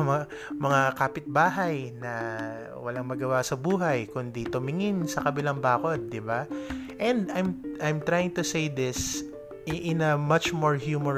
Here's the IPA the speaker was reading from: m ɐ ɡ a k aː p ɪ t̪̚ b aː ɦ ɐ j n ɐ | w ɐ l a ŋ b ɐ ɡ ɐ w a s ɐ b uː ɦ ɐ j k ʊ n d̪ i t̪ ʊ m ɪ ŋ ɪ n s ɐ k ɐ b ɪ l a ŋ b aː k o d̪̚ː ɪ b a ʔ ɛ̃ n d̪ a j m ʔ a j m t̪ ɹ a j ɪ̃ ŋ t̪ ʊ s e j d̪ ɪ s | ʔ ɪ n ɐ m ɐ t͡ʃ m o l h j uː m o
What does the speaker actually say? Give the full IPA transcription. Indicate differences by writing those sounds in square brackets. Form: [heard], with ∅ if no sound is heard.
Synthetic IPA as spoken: m ɐ [ŋ] a k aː p ɪ t̪̚ b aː ɦ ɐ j n ɐ | w ɐ l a ŋ [m] ɐ ɡ ɐ w a s ɐ b uː ɦ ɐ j k ʊ n d̪ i t̪ ʊ m ɪ ŋ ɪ n s ɐ k ɐ b ɪ l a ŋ b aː k o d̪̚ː ɪ b a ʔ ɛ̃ n d̪ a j m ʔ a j m t̪ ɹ a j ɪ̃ ŋ t̪ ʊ s e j d̪ ɪ s | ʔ ɪ n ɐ m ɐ t͡ʃ m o [ɹ] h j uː m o